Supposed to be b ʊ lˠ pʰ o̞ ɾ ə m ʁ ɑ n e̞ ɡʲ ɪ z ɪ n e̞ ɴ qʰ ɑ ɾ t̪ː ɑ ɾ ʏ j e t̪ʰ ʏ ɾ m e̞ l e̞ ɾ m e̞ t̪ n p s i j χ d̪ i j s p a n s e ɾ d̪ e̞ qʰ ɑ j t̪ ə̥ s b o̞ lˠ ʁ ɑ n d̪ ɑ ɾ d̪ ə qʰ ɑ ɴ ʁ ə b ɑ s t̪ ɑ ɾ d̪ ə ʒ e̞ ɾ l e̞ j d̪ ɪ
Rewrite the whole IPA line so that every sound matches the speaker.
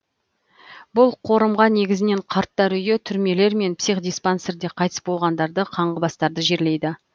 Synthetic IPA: b ʊ lˠ qʰ o̞ ɾ ə m ʁ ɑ n e̞ ɡʲ ɪ z ɪ n e̞ ɴ qʰ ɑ ɾ t̪ː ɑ ɾ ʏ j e t̪ʰ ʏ ɾ m e̞ l e̞ ɾ m e̞ n p s i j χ d̪ i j s p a n s e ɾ d̪ e̞ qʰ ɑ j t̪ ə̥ s b o̞ lˠ ʁ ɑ n d̪ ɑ ɾ d̪ ə qʰ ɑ ɴ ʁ ə b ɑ s t̪ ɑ ɾ d̪ ə ʒ e̞ ɾ l e̞ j d̪ ɪ